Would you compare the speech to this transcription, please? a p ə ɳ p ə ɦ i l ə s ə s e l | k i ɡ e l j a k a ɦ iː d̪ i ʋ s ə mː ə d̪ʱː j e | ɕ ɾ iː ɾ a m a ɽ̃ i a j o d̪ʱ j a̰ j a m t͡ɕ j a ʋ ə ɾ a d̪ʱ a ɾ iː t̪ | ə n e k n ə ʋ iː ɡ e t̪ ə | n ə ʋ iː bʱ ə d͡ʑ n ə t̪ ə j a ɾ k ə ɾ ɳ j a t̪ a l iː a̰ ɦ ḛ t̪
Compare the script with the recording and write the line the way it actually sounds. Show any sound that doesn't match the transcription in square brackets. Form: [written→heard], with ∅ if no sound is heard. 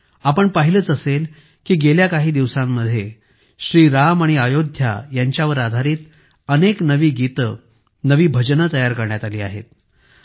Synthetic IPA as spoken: a p ə ɳ p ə ɦ i l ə [s→t͡s] ə s e l | k [i→iː] ɡ e l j a k a ɦ iː d̪ i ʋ s [ə→a] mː ə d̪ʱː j e | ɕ ɾ iː ɾ a m a ɽ̃ i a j o d̪ʱ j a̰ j a [m→ɲ] t͡ɕ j a ʋ ə ɾ a d̪ʱ a ɾ iː t̪ | ə n e k n ə ʋ iː ɡ [e→i] t̪ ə | n ə ʋ iː bʱ ə d͡ʑ n ə t̪ ə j a ɾ k ə ɾ ɳ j a t̪ a l iː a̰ ɦ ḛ t̪